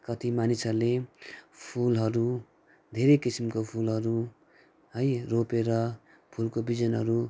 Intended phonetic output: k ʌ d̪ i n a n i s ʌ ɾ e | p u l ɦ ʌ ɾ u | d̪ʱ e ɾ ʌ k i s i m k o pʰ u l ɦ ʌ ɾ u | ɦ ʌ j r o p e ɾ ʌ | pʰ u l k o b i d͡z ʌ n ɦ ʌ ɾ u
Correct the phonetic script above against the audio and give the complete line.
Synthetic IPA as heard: k ʌ t̪ i m a n i s ʌ l e | pʰ u l ɦ ʌ ɾ u | d̪ʱ e ɾ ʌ k i s i m k o pʰ u l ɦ ʌ ɾ u | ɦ ʌ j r o p e ɾ ʌ | pʰ u l k o b i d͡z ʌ n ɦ ʌ ɾ u